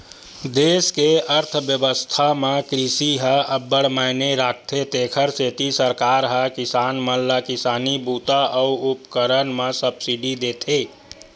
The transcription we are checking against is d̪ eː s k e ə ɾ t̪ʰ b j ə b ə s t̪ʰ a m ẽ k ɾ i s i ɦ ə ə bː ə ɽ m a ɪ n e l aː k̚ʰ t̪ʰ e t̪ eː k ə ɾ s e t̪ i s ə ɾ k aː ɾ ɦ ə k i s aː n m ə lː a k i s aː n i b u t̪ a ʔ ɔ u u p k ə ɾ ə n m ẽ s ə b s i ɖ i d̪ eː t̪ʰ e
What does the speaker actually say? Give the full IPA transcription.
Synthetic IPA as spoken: d̪ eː s k e ə ɾ t̪ʰ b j ə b ə s t̪ʰ a m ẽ k ɾ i s i ɦ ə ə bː ə ɽ m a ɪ n e ɾ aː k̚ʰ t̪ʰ e t̪ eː kʰ ə ɾ s e t̪ i s ə ɾ k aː ɾ ɦ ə k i s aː n m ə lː a k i s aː n i b u t̪ a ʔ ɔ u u p k ə ɾ ə n m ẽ s ə b s i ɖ i d̪ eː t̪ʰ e